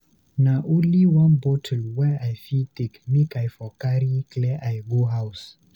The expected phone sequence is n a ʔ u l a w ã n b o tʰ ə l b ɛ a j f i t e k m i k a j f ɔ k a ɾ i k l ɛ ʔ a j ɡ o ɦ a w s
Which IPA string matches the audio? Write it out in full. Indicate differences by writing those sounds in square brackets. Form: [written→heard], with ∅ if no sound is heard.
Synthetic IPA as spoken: n a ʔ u l [a→i] w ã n b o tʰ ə l [b→w] ɛ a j f i t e k m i k a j f ɔ k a ɾ i k l ɛ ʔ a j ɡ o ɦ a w s